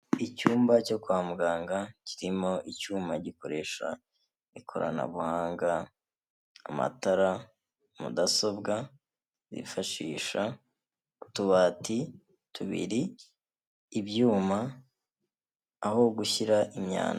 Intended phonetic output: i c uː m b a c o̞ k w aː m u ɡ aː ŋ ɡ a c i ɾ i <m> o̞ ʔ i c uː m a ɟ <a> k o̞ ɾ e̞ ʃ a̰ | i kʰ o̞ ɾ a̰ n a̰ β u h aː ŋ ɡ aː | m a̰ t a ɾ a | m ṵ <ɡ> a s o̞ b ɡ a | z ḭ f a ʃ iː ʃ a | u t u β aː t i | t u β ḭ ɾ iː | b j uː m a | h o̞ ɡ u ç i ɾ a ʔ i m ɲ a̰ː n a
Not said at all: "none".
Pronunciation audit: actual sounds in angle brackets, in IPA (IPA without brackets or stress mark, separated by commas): m, i, d